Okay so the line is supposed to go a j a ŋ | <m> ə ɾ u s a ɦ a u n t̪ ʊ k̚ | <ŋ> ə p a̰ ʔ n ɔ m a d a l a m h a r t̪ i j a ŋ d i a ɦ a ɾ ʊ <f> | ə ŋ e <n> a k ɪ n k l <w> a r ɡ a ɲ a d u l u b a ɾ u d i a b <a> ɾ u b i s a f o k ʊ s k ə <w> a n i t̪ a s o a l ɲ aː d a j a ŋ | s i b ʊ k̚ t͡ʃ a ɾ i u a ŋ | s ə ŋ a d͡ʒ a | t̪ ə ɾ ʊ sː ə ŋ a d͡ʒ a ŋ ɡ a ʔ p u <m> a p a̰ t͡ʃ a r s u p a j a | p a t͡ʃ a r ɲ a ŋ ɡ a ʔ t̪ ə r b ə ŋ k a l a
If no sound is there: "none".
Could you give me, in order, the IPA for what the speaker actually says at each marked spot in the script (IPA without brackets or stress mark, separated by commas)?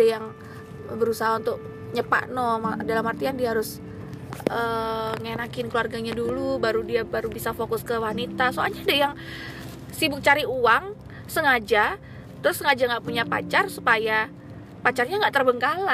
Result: b, ɲ, s, n, u, a, w, ɲ